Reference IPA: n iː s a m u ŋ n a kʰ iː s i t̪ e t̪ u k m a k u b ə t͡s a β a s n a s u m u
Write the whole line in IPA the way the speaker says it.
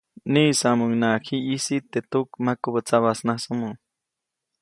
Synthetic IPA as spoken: n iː s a m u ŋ n a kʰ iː s i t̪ e t̪ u k m a k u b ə t͡s a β a s n a s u m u